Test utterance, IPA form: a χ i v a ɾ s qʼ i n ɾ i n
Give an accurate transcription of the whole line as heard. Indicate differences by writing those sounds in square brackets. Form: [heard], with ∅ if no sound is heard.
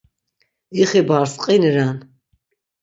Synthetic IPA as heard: [i] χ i [b] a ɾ s qʼ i n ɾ [a] n

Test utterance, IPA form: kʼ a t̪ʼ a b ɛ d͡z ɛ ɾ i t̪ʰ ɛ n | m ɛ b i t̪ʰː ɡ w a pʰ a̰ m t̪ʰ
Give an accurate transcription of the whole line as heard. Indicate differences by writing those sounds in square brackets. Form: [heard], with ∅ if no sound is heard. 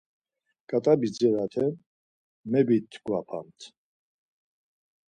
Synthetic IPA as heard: kʼ a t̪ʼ a b [i] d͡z ɛ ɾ [a] t̪ʰ ɛ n | m ɛ b i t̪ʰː ɡ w a pʰ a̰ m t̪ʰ

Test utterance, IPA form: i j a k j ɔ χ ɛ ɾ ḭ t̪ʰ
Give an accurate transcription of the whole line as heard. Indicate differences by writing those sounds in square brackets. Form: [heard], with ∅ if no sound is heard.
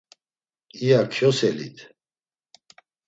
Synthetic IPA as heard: i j a [kʰ] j ɔ [s] ɛ [l] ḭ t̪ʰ

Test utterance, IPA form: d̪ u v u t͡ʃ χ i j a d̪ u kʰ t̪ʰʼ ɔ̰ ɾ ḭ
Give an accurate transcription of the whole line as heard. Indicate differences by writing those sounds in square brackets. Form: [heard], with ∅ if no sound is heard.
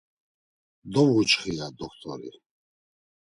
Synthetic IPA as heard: d̪ [ɔ] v u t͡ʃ χ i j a d̪ [ɔ] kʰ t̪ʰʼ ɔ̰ ɾ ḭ

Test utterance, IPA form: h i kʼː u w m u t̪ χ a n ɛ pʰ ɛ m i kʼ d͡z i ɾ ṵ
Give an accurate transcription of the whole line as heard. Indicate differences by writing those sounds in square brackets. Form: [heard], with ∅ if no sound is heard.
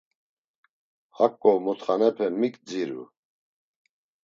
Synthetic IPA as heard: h [a] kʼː [ɔ] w m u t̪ χ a n ɛ pʰ ɛ m i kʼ d͡z i ɾ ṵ

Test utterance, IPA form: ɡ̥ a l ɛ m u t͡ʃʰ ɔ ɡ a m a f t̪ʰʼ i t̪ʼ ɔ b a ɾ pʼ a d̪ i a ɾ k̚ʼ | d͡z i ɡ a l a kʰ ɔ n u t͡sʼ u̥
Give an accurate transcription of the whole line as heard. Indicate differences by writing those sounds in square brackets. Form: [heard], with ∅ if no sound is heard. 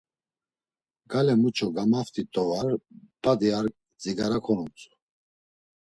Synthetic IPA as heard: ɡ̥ a l ɛ m u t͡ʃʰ ɔ ɡ a m a f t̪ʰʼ i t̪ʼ ɔ [v] a ɾ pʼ a d̪ i a ɾ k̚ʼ | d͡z i ɡ a [ɾ] a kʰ ɔ n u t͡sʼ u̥

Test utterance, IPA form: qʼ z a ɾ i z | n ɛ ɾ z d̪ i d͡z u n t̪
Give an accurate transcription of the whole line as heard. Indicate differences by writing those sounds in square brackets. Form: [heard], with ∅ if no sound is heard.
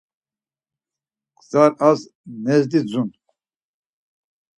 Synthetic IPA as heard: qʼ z a ɾ [a] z | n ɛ [∅] z d̪ i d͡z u n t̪

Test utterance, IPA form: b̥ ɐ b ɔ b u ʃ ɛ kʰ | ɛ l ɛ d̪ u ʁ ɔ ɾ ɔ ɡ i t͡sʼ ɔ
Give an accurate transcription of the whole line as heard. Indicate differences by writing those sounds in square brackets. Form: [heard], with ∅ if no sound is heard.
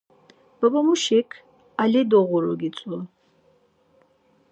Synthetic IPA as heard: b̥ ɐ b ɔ [m] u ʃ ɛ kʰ | [a] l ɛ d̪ [ɔ] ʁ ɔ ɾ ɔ ɡ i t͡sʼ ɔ

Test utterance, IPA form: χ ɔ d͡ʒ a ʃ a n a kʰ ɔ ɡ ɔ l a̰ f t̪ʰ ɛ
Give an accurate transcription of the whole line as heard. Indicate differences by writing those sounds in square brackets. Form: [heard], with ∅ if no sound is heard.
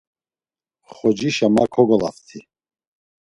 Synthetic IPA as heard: χ ɔ d͡ʒ [i] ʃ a [m] a kʰ ɔ ɡ ɔ l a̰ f t̪ʰ [i]

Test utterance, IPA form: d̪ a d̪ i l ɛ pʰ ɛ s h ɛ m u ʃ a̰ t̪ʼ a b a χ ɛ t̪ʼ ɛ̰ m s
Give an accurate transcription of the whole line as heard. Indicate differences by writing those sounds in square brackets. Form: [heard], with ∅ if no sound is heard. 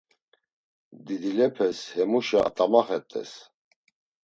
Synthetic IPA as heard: d̪ [i] d̪ i l ɛ pʰ ɛ s h ɛ m u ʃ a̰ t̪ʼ a [m] a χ ɛ t̪ʼ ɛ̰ [∅] s

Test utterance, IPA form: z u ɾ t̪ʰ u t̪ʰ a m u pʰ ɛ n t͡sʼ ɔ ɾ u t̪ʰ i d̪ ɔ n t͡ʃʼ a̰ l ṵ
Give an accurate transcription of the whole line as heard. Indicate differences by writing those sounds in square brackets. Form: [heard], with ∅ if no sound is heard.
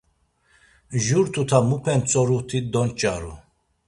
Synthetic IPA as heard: [ʒ] u ɾ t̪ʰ u t̪ʰ a m u pʰ ɛ n t͡sʼ ɔ ɾ u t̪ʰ i d̪ ɔ n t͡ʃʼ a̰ [ɾ] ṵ

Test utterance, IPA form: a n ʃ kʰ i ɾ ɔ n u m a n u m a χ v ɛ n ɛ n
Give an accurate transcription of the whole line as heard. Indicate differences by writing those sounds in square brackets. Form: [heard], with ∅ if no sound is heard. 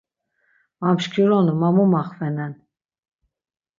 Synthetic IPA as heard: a [m] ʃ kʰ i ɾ ɔ n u m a [m] u m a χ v ɛ n ɛ n

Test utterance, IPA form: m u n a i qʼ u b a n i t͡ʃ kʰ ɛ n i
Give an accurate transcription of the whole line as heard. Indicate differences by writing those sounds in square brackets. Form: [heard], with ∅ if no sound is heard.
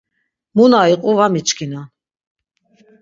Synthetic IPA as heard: m u n a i qʼ u [v] a [m] i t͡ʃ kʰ [i] n [a]

